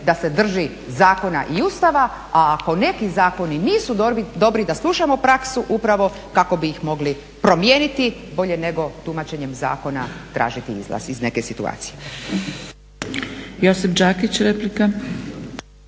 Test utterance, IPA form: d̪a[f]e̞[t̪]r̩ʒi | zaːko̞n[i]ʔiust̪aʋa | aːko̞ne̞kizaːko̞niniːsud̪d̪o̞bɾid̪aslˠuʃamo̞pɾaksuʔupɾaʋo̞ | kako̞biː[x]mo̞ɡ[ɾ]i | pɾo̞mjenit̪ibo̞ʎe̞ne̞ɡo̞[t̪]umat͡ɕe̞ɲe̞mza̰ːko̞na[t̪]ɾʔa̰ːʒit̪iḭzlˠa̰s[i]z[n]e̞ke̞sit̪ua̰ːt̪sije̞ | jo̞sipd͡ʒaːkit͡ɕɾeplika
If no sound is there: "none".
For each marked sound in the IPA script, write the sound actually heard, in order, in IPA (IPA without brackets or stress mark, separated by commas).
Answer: s, d̪, a, x, l, t̪, t̪, i, n